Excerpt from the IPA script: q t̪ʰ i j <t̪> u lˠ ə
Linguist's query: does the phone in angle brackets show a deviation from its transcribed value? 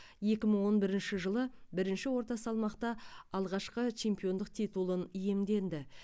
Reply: no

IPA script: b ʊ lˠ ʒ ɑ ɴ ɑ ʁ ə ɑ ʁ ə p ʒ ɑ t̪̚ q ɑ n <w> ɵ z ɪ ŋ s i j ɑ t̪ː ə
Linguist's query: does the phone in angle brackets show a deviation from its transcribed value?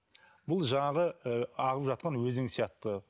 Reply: no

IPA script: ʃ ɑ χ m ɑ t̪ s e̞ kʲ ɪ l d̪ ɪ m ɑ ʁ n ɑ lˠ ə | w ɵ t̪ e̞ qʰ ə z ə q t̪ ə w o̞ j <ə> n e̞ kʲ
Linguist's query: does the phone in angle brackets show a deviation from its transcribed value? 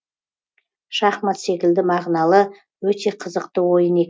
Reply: no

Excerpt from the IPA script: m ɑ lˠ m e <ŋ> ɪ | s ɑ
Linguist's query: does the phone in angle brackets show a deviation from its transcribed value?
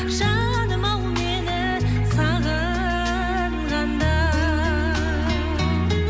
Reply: yes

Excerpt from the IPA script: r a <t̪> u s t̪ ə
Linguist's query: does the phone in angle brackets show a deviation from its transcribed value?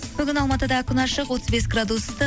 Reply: yes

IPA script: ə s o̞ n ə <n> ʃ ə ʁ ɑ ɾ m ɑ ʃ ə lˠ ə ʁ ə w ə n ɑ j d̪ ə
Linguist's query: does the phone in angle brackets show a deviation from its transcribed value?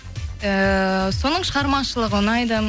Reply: yes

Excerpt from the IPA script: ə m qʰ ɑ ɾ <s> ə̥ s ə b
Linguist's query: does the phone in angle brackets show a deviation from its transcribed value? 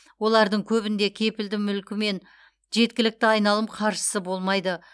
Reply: yes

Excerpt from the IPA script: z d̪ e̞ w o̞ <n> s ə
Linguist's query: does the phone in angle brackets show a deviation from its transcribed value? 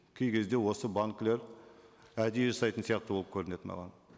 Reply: yes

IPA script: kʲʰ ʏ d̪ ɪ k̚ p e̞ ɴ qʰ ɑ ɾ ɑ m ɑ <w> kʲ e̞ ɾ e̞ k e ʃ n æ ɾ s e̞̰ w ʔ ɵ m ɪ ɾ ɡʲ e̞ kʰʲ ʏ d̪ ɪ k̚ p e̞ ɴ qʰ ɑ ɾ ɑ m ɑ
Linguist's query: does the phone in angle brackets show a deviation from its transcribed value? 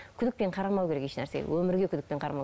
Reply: no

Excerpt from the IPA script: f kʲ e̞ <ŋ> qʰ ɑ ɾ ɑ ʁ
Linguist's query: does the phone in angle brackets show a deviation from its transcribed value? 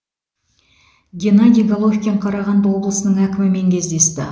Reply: yes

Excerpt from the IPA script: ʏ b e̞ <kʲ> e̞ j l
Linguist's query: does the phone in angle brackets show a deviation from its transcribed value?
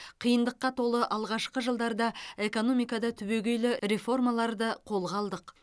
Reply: yes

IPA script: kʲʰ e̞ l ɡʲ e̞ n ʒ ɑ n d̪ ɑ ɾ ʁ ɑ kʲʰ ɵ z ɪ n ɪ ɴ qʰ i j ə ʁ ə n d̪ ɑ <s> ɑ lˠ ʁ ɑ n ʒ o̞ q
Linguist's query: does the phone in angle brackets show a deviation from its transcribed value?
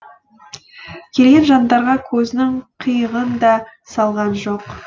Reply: no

